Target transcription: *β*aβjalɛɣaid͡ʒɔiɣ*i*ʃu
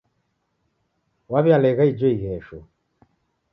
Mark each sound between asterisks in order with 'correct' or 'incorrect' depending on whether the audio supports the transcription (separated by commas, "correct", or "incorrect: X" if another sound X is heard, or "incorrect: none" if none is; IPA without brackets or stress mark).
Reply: incorrect: w, incorrect: ɛ